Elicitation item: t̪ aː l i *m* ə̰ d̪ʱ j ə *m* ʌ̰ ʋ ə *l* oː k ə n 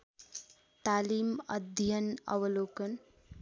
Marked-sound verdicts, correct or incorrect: correct, incorrect, correct

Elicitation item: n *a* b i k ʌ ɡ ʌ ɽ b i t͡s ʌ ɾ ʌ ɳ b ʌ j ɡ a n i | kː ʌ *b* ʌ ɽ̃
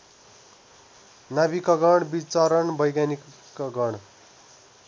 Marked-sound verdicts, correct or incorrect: correct, incorrect

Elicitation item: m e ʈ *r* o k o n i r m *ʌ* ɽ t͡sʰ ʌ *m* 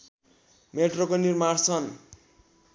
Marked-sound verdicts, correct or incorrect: correct, incorrect, incorrect

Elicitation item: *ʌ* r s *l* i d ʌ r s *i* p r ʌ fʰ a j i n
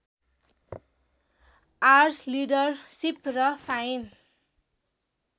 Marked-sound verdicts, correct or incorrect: incorrect, correct, correct

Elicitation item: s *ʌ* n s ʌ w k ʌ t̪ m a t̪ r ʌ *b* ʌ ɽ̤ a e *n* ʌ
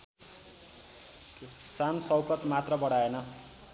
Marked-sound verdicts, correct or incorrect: incorrect, correct, correct

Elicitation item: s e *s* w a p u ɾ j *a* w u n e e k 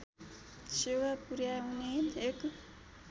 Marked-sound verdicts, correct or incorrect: incorrect, correct

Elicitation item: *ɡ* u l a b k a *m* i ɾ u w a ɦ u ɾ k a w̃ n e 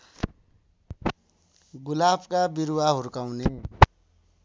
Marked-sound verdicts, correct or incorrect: correct, incorrect

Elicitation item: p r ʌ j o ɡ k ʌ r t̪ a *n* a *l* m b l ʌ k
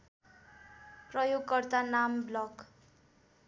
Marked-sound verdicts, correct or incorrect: correct, incorrect

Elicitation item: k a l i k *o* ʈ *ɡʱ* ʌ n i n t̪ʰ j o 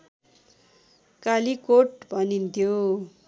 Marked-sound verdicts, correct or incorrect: correct, incorrect

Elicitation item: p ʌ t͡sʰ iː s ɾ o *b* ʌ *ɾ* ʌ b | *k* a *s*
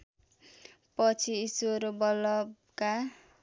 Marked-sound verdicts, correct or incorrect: correct, incorrect, correct, incorrect

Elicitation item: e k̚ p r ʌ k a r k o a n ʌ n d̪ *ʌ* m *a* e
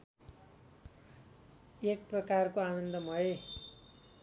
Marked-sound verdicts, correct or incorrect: correct, incorrect

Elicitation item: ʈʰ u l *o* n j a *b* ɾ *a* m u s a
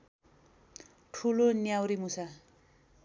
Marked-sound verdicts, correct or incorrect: correct, incorrect, incorrect

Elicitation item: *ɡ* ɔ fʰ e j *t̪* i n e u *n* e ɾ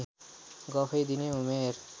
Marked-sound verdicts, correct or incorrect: correct, incorrect, incorrect

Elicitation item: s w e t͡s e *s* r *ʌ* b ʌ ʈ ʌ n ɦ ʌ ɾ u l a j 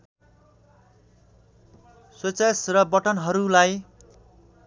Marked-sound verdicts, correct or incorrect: correct, correct

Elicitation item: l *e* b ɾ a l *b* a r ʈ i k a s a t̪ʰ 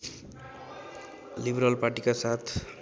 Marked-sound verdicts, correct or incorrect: incorrect, incorrect

